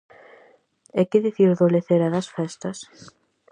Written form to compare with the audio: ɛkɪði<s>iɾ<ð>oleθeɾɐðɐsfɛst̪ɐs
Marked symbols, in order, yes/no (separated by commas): no, yes